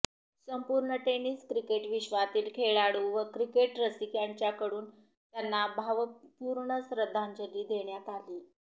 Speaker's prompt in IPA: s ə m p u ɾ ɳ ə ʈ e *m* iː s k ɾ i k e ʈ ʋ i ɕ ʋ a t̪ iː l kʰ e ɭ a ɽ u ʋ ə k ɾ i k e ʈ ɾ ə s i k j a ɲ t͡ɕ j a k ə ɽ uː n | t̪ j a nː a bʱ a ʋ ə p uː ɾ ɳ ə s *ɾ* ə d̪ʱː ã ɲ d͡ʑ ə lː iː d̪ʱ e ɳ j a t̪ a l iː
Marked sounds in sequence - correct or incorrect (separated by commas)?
incorrect, correct